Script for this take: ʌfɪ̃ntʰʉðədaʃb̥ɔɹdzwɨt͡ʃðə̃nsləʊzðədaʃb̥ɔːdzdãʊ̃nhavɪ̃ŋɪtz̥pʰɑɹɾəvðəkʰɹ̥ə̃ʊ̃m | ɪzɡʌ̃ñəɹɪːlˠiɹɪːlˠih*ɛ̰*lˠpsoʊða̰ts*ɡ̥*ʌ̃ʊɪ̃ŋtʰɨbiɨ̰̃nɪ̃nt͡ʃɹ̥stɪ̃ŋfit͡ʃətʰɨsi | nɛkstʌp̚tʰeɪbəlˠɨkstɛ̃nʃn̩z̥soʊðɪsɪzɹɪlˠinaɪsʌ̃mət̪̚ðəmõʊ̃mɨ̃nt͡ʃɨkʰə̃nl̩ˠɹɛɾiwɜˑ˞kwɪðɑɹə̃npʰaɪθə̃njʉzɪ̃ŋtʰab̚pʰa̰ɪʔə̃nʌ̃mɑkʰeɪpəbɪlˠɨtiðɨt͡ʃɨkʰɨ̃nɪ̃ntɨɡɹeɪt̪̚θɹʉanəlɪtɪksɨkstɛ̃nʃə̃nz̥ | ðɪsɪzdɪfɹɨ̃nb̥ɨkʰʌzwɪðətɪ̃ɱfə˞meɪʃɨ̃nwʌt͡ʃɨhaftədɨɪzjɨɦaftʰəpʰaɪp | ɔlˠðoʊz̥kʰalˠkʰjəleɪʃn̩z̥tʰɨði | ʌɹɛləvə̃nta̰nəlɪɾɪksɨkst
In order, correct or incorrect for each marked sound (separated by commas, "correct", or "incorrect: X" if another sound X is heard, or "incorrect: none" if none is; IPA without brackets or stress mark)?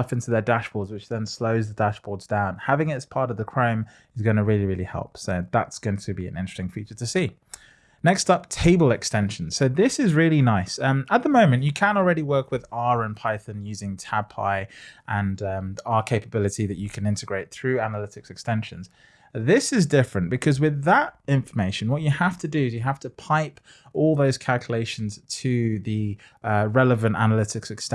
correct, correct